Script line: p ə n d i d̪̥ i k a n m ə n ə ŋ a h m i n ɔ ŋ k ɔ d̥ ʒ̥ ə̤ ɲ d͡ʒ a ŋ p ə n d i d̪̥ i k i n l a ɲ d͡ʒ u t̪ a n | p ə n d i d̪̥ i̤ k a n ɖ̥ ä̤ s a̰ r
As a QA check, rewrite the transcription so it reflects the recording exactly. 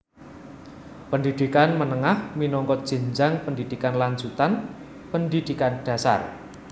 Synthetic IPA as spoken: p ə n d i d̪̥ i k a n m ə n ə ŋ a h m i n ɔ ŋ k ɔ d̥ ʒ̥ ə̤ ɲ d͡ʒ a ŋ p ə n d i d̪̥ i k a n l a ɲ d͡ʒ u t̪ a n | p ə n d i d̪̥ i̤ k a n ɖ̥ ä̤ s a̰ r